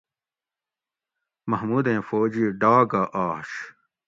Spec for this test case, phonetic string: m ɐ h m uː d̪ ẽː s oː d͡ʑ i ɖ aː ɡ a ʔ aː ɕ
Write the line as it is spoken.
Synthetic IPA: m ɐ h m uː d̪ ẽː f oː d͡ʑ i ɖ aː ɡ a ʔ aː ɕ